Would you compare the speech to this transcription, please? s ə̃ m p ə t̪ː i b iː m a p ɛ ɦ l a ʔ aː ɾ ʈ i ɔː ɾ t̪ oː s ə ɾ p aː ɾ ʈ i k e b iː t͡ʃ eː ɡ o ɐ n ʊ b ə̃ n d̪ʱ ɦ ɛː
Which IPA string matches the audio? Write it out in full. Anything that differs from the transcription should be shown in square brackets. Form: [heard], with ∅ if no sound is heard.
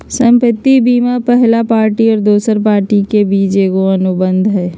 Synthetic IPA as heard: s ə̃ m p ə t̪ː i b iː m a p ɛ ɦ l a [p] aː ɾ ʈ i ɔː ɾ [d̪] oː s ə ɾ p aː ɾ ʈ i k e b iː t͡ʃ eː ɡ o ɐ n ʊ b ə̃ n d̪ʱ ɦ ɛː